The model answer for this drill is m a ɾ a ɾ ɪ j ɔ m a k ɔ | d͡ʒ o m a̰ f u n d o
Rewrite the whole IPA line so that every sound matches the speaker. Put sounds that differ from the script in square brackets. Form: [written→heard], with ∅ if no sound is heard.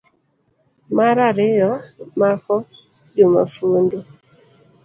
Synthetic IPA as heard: m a ɾ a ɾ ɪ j ɔ m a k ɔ | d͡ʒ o m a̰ f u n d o